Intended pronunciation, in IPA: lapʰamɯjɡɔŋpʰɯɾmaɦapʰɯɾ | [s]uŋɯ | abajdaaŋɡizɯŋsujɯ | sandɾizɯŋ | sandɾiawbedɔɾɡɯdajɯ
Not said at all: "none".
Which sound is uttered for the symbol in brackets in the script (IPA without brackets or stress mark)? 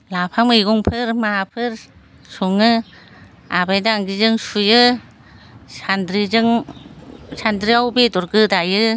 s